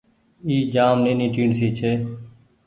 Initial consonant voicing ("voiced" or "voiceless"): voiced